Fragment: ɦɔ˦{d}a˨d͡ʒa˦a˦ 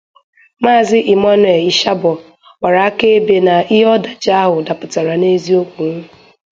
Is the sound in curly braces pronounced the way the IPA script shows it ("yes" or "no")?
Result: yes